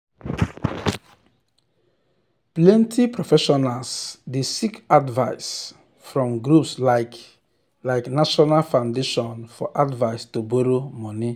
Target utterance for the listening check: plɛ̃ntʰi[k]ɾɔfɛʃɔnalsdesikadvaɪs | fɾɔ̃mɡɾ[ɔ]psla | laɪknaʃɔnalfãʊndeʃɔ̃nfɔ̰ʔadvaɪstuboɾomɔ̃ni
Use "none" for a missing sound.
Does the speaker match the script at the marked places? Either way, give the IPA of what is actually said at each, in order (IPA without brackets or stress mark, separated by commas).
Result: p, u